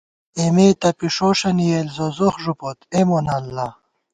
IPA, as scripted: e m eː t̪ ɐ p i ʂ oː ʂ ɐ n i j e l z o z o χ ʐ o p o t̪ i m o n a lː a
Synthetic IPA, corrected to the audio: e m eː t̪ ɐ p i ʂ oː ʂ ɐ n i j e l z o z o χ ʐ u p o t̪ e m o n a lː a

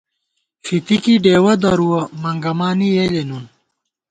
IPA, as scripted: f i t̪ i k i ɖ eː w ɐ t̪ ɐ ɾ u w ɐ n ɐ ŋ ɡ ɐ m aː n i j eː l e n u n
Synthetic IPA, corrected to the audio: f i t̪ i k i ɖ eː w ɐ d̪ ɐ ɾ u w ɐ m ɐ ŋ ɡ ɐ m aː n i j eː l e n u n

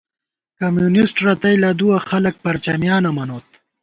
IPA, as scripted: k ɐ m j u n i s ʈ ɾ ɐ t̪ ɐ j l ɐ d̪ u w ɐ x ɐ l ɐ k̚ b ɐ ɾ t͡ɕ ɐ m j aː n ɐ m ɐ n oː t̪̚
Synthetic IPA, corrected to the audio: k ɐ m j u n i s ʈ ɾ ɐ t̪ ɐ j l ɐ d̪ u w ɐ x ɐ l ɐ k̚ p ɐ ɾ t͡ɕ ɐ m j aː n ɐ m ɐ n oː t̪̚

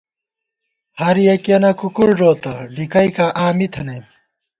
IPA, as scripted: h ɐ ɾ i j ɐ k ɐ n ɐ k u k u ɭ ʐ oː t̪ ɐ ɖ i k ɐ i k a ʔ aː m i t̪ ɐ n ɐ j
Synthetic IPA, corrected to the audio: h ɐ ɾ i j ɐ k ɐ n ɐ k u k u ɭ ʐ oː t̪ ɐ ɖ i k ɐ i k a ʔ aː m i t̪ʰ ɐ n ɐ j

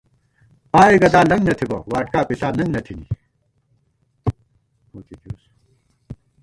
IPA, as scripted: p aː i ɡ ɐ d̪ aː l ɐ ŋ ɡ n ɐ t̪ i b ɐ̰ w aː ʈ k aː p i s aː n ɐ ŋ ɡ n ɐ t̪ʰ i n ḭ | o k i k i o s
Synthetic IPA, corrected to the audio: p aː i ɡ ɐ d̪ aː l ɐ ŋ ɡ n ɐ t̪ʰ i b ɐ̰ w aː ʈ k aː p i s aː n ɐ ŋ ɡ n ɐ t̪ʰ i n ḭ | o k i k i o s

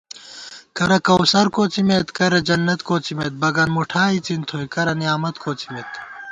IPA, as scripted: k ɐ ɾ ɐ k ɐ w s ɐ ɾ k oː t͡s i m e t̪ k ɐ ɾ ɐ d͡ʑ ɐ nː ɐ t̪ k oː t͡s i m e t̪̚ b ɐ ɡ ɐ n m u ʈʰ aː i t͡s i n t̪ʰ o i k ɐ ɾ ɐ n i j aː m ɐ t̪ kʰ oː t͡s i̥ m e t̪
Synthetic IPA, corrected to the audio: k ɐ ɾ ɐ k ɐ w s ɐ ɾ k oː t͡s i m e t̪ k ɐ ɾ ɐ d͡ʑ ɐ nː ɐ t̪ k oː t͡s i m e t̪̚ b ɐ ɡ ɐ n m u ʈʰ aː i t͡s i n t̪ʰ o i k ɐ ɾ ɐ n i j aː m ɐ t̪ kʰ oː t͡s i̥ m e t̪

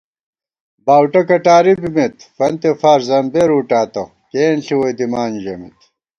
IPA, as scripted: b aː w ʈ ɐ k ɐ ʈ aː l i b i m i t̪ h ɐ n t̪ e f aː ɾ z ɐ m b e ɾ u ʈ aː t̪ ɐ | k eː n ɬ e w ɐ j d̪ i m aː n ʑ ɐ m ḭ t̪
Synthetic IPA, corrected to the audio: b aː w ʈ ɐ k ɐ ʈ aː ɾ i b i m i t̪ f ɐ n t̪ e f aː ɾ z ɐ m b e ɾ u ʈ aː t̪ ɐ | k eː n ɬ i w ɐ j d̪ i m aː n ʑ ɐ m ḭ t̪

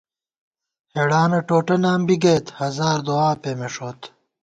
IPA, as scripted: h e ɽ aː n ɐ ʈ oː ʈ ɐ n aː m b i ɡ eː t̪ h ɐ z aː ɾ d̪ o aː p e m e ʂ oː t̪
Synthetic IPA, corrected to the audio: h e ɽ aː n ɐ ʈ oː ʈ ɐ n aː m b i ɡ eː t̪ h ɐ z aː ɾ d̪ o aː p e m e ʂ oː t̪

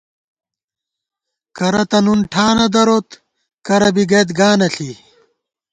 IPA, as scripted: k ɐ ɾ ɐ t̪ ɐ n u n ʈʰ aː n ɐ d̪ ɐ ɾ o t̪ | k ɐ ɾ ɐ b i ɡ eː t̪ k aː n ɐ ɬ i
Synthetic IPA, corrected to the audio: k ɐ ɾ ɐ t̪ ɐ n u n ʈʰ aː n ɐ d̪ ɐ ɾ o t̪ | k ɐ ɾ ɐ b i ɡ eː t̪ ɡ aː n ɐ ɬ i

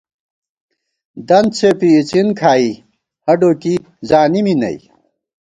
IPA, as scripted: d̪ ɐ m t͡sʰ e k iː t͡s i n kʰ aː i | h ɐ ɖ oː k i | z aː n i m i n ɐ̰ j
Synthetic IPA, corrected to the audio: d̪ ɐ n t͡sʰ e p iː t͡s i n kʰ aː i | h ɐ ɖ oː k i | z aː n i m i n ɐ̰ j

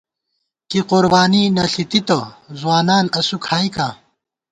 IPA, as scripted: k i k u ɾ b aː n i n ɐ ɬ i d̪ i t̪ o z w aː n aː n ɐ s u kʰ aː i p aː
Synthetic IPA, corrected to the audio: k i q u ɾ b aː n i n ɐ ɬ i t̪ i t̪ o z w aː n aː n ɐ s u kʰ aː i k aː

